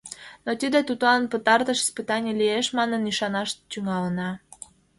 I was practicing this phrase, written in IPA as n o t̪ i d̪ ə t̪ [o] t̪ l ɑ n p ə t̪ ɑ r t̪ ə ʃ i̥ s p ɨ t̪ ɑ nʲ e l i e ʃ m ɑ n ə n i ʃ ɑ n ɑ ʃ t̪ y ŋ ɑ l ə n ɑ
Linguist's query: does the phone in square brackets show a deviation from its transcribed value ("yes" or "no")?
yes